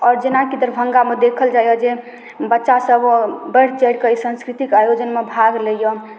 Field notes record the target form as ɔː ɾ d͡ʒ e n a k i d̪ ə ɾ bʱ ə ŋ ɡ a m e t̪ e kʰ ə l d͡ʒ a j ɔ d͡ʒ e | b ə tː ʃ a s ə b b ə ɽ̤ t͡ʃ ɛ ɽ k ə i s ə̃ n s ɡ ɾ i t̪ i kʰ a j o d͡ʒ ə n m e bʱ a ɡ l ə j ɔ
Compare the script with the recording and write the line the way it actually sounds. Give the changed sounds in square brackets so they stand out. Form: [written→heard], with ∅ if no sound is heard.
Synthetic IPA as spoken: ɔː ɾ d͡ʒ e n a k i d̪ ə ɾ bʱ ə ŋ ɡ a m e [t̪→d̪] e kʰ ə l d͡ʒ a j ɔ d͡ʒ e | b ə tː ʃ a s ə b b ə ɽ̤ t͡ʃ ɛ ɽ k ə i s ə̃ n s [ɡ→k] ɾ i t̪ i [kʰ→k] a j o d͡ʒ ə n m e bʱ a ɡ l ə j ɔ